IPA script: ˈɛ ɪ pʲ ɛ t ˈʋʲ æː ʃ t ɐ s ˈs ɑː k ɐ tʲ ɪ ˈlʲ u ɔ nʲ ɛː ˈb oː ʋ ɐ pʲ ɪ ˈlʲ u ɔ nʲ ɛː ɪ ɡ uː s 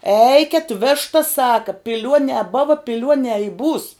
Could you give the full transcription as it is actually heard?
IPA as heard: ˈɛ ɪ kʲ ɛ t ˈʋʲ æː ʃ t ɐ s ˈs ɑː k ɐ pʲ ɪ ˈlʲ u ɔ nʲ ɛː ˈb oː ʋ ɐ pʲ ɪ ˈlʲ u ɔ nʲ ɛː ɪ b uː s